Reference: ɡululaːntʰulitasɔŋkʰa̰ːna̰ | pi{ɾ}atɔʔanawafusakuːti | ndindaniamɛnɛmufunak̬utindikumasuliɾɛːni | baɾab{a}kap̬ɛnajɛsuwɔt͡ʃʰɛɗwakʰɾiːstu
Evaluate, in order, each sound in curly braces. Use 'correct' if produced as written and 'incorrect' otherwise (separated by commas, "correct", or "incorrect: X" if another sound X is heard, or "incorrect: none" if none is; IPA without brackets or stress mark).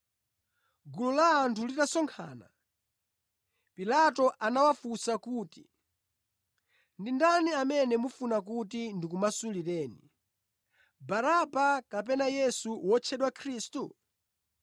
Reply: incorrect: l, correct